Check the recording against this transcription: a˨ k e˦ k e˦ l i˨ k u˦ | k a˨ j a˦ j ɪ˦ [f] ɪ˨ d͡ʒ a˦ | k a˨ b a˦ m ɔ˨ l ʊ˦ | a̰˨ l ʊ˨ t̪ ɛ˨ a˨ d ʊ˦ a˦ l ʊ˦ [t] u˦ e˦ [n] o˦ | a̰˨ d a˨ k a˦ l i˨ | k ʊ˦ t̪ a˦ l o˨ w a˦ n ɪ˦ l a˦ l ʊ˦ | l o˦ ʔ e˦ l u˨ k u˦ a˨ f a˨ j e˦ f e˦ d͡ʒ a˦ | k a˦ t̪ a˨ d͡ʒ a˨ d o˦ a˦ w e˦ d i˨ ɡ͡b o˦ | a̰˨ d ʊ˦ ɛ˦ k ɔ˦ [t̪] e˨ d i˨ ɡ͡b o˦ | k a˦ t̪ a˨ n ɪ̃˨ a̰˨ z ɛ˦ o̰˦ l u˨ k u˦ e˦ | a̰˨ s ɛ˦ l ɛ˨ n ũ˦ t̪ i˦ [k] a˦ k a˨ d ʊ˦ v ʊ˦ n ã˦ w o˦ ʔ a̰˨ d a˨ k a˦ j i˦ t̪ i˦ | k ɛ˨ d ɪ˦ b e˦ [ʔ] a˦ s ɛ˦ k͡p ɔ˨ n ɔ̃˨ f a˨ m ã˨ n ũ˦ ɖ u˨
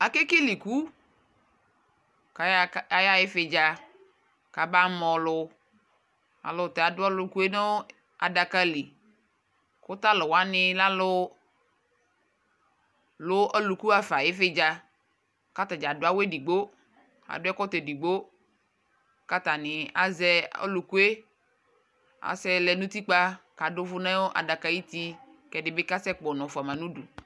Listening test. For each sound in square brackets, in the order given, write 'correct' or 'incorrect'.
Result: correct, incorrect: k, correct, correct, incorrect: k͡p, incorrect: k

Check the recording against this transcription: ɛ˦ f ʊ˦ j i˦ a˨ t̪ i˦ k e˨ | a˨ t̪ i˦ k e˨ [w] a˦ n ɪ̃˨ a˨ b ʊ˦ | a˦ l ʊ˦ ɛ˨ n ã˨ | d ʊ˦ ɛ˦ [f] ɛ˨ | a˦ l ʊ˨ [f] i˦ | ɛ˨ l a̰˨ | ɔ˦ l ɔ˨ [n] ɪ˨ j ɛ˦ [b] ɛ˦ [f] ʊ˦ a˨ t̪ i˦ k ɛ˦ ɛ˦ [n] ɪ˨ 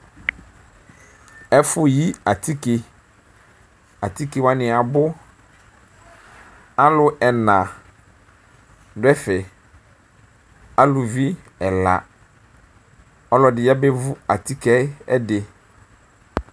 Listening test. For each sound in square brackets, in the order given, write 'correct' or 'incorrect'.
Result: correct, correct, incorrect: v, incorrect: d, correct, incorrect: v, incorrect: d

